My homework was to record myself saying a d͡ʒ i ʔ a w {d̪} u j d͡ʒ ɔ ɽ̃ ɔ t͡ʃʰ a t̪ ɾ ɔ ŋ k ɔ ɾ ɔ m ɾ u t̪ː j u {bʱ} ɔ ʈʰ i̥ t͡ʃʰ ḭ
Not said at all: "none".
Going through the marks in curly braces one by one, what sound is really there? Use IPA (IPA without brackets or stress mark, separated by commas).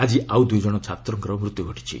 d̪, ɡʱ